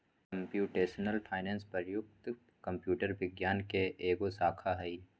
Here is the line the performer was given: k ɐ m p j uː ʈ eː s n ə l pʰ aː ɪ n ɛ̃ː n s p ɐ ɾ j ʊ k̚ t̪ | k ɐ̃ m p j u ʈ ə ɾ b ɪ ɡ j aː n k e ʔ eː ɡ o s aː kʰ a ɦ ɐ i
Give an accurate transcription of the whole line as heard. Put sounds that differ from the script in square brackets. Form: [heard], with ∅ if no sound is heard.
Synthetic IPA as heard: k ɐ m p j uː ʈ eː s n ə l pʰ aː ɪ n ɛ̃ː n s p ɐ ɾ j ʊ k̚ t̪ | k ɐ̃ m p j [uː] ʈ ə ɾ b ɪ ɡ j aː n k e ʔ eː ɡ o s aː kʰ a ɦ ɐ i